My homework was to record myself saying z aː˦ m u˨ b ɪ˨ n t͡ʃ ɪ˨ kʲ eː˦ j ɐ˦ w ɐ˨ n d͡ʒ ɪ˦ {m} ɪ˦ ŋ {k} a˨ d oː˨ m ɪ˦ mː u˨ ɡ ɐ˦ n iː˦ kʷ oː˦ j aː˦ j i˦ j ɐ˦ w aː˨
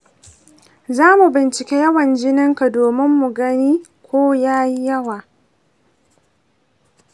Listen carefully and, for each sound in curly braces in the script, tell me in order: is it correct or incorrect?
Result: incorrect: n, correct

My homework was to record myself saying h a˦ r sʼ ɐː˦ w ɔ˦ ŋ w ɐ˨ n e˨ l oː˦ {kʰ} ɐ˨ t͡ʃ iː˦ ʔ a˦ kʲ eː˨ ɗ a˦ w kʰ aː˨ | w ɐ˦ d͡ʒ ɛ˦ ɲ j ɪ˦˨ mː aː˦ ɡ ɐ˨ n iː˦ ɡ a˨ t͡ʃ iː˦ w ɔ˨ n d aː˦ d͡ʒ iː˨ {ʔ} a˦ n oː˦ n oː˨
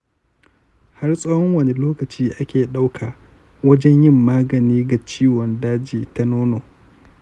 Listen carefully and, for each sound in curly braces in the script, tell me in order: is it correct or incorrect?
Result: incorrect: k, incorrect: t

